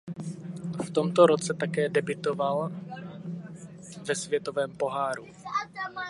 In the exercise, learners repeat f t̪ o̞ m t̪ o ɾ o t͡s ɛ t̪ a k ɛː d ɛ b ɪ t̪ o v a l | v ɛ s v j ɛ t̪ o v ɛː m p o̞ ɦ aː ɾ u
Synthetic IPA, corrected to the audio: f t̪ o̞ m t̪ o ɾ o t͡s ɛ t̪ a k ɛː d ɛ b ɪ t̪ o v a l | v ɛ s v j ɛ t̪ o v ɛː m p o̞ ɦ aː ɾ u